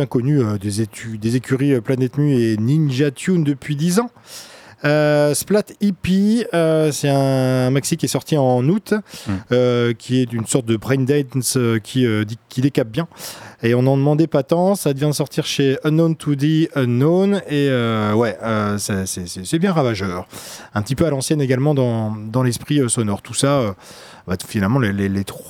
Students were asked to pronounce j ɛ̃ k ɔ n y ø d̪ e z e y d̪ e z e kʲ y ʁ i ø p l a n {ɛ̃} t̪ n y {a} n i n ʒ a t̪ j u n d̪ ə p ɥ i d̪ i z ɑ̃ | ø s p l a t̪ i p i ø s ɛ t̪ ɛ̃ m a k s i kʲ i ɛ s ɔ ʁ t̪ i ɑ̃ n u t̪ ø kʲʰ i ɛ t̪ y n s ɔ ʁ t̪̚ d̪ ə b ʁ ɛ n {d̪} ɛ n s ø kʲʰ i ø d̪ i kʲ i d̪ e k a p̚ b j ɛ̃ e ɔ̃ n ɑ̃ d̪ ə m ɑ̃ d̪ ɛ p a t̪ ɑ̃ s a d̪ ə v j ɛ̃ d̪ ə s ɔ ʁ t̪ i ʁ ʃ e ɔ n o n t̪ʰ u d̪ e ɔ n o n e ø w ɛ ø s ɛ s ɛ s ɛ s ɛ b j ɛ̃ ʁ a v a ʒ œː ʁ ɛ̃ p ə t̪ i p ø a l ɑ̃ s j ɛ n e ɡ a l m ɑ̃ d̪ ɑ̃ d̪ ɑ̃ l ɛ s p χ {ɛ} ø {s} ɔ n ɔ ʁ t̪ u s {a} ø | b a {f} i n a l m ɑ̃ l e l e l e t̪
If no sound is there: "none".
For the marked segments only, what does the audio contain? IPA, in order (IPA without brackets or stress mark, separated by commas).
ɛ, e, d̪, i, s, a, f